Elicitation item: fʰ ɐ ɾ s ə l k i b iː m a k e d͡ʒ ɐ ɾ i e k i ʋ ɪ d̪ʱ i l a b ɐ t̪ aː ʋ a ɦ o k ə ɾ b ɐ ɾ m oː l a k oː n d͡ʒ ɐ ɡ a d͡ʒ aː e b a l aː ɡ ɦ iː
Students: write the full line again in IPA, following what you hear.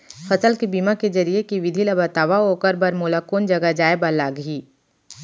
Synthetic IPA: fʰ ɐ s ə l k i b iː m a k e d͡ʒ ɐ ɾ i e k i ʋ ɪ d̪ʱ i l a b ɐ t̪ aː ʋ a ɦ o k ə ɾ b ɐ ɾ m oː l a k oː n d͡ʒ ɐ ɡ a d͡ʒ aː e b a l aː ɡ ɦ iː